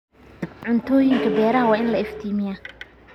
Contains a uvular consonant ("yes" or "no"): no